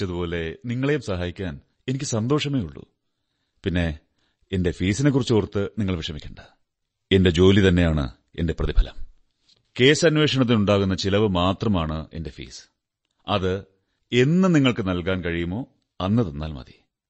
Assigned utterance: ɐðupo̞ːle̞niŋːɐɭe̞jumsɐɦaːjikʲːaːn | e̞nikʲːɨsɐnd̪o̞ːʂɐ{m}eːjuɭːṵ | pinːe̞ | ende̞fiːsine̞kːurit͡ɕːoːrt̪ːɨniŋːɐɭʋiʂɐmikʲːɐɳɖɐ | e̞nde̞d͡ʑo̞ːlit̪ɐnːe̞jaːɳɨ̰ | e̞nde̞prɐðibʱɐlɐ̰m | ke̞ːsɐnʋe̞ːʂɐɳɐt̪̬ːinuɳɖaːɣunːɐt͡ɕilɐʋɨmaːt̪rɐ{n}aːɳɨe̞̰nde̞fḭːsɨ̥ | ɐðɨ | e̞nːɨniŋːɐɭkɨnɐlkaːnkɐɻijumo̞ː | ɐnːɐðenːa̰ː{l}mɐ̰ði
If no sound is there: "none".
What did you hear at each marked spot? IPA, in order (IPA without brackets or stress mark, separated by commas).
m, m, l